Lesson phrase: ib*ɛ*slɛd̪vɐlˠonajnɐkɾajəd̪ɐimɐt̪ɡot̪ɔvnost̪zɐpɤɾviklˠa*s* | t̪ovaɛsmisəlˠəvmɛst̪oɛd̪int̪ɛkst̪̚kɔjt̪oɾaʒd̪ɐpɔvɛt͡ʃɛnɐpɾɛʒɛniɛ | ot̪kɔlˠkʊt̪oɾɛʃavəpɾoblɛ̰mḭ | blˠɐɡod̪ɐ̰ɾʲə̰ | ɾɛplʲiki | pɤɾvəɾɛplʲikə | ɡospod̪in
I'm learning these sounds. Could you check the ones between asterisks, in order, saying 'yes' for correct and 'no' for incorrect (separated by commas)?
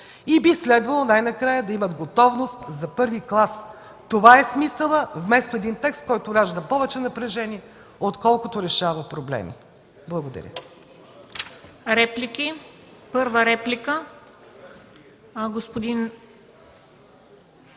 no, yes